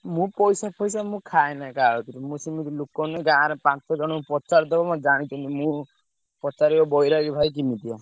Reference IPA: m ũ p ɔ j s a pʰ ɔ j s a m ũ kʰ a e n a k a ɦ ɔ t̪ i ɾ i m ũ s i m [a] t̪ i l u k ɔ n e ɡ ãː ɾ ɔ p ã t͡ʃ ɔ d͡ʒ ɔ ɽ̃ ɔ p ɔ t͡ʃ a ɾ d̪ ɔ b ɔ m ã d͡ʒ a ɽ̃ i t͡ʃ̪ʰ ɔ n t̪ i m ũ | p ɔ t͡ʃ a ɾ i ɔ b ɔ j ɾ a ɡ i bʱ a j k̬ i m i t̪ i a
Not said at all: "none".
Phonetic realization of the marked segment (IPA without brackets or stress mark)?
i